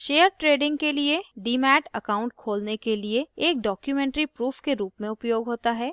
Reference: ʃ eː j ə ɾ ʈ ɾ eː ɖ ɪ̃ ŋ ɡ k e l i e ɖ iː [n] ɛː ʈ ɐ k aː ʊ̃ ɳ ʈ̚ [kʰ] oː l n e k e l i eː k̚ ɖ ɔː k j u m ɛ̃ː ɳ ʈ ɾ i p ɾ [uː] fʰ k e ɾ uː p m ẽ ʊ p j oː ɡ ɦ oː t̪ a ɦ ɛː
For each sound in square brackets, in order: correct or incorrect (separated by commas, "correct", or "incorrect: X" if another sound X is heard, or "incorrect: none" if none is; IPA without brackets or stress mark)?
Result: incorrect: m, correct, correct